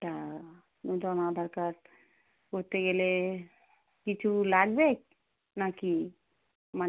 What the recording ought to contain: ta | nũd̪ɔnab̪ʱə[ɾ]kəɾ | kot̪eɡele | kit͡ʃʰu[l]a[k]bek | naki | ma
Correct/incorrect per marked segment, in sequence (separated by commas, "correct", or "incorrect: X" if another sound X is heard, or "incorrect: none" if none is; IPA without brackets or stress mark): correct, correct, incorrect: ɡ